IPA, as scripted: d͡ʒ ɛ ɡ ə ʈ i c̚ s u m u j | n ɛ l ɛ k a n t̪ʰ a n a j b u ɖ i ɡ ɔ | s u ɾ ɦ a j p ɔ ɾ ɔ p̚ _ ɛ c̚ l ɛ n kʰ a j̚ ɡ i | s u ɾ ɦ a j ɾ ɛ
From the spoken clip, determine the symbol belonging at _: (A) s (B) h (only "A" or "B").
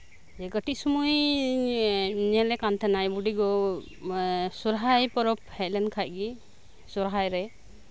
B